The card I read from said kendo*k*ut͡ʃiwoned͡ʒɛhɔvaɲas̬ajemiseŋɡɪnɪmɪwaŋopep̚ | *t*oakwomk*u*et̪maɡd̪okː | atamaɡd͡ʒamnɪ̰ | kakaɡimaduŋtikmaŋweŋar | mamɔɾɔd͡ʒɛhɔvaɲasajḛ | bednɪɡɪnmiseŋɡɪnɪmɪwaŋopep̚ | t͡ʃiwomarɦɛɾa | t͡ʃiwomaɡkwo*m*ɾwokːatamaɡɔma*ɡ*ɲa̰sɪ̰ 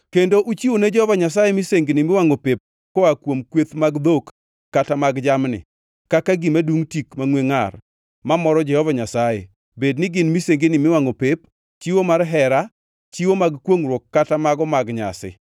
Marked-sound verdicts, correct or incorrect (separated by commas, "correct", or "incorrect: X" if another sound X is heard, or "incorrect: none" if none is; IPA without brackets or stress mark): incorrect: ʔ, incorrect: k, incorrect: w, incorrect: ŋ, correct